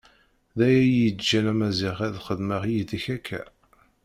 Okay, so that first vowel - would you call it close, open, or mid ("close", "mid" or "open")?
open